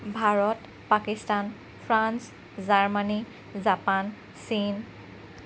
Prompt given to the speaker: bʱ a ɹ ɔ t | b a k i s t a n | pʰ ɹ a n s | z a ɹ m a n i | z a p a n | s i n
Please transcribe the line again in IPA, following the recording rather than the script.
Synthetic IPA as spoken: bʱ a ɹ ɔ t | p a k i s t a n | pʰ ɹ a n s | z a ɹ m a n i | z a p a n | s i n